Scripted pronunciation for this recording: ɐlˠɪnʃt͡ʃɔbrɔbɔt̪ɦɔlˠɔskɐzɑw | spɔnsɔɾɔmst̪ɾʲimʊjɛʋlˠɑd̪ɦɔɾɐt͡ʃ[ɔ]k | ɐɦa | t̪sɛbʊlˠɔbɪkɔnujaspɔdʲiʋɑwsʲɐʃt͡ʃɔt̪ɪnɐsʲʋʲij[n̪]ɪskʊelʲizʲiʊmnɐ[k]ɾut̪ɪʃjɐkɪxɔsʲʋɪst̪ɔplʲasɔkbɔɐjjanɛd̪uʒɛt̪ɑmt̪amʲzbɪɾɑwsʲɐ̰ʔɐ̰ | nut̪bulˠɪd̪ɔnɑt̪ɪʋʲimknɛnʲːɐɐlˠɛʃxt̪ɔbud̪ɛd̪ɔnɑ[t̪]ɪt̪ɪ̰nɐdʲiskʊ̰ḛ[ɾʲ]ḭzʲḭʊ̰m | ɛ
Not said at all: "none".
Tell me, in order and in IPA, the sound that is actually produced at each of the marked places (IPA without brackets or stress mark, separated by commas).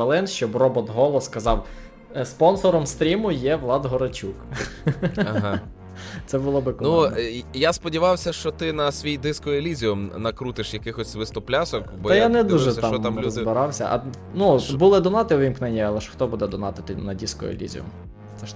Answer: u, d̪, k, t̪, lʲ